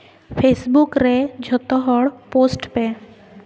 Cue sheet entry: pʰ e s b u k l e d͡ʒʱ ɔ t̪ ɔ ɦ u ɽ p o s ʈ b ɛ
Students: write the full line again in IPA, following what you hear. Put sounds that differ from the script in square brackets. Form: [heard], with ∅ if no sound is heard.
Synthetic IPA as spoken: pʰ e s b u k [ɾ] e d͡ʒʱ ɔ t̪ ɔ ɦ [ɔ] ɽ p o s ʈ [p] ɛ